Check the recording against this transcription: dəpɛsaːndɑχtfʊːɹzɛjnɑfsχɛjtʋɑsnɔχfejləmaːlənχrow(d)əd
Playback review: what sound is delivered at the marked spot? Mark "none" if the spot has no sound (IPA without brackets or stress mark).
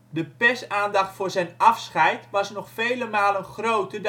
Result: t